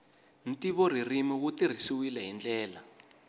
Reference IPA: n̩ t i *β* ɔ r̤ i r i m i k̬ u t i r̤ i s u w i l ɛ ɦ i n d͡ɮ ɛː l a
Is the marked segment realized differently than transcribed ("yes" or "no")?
no